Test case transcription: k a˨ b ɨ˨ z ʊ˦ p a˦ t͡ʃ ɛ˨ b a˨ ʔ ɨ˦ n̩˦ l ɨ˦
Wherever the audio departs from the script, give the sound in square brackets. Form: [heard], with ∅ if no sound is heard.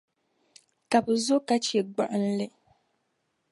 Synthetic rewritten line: k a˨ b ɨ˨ z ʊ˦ [k] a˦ t͡ʃ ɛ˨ [ɡ͡b] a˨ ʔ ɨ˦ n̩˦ l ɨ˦